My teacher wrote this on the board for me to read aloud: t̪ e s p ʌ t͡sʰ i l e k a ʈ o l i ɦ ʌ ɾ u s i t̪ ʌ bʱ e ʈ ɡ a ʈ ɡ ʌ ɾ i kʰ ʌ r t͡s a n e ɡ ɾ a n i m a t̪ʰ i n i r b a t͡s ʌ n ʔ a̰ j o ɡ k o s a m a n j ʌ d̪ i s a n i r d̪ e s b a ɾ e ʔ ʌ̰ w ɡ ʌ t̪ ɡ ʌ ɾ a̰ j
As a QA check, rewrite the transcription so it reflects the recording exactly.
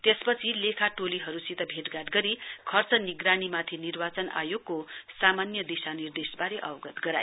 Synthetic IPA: t̪ e s p ʌ t͡sʰ i l e kʰ a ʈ o l i ɦ ʌ ɾ u s i t̪ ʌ bʱ e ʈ ɡ a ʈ ɡ ʌ ɾ i kʰ ʌ r t͡s ʌ n i ɡ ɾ a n i m a t̪ʰ i n i r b a t͡s ʌ n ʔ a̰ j o ɡ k o s a m a n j ʌ d̪ i s a n i r d̪ e s b a ɾ e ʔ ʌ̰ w ɡ ʌ t̪ ɡ ʌ ɾ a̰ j